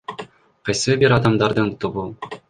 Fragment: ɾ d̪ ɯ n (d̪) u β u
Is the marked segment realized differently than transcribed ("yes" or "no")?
yes